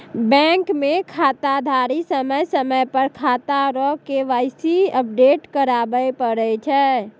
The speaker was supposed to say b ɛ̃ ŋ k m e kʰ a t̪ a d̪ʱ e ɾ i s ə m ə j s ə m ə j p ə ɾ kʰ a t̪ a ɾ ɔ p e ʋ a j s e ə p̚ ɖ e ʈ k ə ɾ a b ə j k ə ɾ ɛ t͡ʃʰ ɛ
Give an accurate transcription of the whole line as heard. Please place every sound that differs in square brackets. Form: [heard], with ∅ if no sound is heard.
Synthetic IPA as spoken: b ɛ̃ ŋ k m e kʰ a t̪ a d̪ʱ [a] ɾ i s ə m ə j s ə m ə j p ə ɾ kʰ a t̪ a ɾ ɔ [k] e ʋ a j s [i] ə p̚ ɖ e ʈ k ə ɾ a b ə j [p] ə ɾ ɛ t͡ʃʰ ɛ